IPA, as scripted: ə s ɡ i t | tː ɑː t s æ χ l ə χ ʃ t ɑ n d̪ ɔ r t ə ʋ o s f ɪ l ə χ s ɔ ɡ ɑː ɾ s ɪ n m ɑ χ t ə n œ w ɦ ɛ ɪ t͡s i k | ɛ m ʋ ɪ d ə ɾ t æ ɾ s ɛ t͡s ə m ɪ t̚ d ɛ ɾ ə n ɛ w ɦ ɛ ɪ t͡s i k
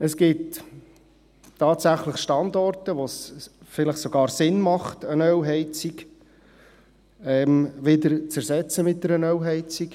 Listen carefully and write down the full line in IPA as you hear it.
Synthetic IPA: ə s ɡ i t | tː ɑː t s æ χ l ə χ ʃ t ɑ n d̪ ɔ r t ə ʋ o s f ɪ l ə χ s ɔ ɡ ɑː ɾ s ɪ n m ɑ χ t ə n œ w ɦ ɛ ɪ t͡s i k | ɛ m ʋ ɪ d ə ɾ t͡s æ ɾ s ɛ t͡s ə m ɪ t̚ d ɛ ɾ ə n œ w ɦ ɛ ɪ t͡s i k